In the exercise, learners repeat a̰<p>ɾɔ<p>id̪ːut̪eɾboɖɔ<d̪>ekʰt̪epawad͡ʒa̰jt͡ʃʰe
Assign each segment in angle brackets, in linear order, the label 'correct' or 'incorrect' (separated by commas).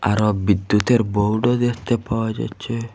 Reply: incorrect, incorrect, correct